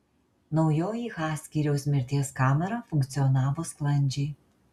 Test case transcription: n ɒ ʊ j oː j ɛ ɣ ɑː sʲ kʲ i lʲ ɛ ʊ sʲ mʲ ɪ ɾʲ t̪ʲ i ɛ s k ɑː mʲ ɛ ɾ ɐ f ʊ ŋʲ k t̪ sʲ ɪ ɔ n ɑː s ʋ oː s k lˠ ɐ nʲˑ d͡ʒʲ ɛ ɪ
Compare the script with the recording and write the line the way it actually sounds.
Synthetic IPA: n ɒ ʊ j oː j i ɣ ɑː sʲ kʲ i ɾʲ ɛ ʊ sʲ mʲ ɪ ɾʲ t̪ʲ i ɛ s k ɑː mʲ ɛ ɾ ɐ f ʊ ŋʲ k t̪ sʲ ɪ ɔ n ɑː ʋ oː s k lˠ ɐ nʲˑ d͡ʒʲ ɛ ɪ